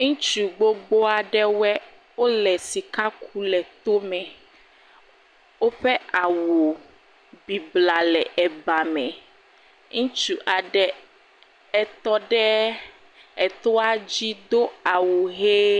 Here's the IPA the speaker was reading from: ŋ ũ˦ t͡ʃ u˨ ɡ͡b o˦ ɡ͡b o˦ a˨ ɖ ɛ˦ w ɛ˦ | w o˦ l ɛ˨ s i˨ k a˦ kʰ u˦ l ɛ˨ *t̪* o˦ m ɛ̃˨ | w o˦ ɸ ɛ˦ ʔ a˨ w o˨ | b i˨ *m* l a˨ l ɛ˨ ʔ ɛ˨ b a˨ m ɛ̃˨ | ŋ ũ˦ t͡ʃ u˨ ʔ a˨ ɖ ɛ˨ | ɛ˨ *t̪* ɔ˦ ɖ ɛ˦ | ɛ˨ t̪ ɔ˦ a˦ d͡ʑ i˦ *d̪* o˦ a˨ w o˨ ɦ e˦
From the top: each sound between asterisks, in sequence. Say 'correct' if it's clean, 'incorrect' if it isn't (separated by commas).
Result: correct, incorrect, correct, correct